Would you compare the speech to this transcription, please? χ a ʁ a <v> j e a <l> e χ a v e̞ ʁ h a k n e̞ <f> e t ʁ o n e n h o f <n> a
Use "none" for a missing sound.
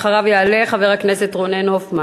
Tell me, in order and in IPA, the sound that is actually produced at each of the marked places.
v, l, s, m

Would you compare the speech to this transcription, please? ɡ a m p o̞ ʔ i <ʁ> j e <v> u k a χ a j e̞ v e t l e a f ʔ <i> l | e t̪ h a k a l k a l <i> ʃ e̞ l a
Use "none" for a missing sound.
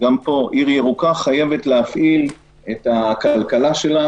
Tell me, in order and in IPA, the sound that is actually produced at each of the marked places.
ʁ, ʁ, i, a

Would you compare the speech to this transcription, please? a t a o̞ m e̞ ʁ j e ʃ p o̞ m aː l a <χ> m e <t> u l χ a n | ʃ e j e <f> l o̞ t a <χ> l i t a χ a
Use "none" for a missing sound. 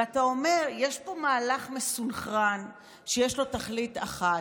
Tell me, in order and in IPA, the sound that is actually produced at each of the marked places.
χ, s, ʃ, χ

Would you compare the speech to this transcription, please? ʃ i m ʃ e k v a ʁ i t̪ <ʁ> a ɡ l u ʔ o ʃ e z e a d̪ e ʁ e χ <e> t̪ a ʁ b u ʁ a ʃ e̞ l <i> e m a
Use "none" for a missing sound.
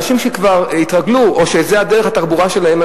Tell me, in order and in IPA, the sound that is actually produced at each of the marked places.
ʁ, a, a

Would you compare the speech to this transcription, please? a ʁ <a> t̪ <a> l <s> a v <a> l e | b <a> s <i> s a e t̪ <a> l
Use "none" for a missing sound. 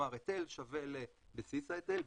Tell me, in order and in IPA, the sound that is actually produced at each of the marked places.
e, e, ʃ, e, e, i, e

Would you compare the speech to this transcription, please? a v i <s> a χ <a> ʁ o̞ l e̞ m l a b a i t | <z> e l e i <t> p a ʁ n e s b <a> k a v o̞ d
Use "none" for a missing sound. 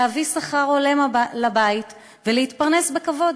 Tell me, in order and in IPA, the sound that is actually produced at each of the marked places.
s, a, v, t, e

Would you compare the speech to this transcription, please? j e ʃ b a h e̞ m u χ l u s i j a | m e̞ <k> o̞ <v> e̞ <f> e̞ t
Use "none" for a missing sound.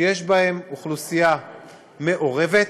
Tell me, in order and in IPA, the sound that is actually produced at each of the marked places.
ʔ, ʁ, v

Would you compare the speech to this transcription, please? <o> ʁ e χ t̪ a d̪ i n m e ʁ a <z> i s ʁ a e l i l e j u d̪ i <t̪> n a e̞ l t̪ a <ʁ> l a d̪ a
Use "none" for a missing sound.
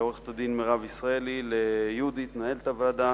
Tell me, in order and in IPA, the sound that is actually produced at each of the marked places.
o, v, t̪, v

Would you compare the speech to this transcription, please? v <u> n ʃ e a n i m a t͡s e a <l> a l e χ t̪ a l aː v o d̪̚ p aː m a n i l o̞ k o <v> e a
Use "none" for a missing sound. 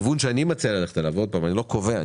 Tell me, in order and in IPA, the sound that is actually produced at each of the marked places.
u, l, v

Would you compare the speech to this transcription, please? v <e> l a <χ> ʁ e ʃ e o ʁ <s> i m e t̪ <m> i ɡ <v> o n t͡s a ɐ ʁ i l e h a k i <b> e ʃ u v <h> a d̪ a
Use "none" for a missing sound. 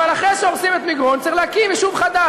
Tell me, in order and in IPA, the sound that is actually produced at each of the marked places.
a, χ, s, m, ʁ, v, χ

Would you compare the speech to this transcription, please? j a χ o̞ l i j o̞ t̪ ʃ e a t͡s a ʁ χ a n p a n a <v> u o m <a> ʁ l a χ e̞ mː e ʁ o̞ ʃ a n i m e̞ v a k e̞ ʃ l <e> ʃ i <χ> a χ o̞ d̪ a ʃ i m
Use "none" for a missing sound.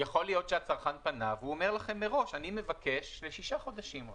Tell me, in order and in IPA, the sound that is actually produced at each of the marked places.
v, e, e, ʃ

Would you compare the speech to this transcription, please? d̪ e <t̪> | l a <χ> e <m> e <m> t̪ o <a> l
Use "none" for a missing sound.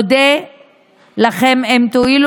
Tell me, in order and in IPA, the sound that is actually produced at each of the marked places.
none, χ, m, m, i

